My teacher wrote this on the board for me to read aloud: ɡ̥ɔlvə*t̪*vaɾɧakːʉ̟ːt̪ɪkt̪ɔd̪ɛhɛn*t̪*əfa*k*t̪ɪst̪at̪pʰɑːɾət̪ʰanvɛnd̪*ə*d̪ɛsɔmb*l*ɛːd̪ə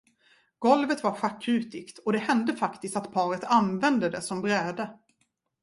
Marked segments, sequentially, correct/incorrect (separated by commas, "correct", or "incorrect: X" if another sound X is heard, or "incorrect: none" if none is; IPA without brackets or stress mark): correct, incorrect: d̪, correct, correct, incorrect: ɾ